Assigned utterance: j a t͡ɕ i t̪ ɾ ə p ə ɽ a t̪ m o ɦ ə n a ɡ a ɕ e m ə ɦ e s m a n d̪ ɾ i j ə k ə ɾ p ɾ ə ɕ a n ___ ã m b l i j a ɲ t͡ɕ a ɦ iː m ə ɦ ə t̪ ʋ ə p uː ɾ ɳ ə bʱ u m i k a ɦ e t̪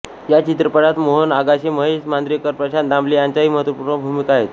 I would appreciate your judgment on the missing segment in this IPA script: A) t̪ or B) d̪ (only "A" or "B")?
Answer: B